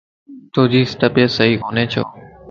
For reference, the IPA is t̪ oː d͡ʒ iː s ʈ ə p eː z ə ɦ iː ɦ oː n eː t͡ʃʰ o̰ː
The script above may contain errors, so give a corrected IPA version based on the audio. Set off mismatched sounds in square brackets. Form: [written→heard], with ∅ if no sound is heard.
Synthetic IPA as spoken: t̪ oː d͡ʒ iː s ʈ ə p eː [z→s] ə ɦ iː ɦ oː n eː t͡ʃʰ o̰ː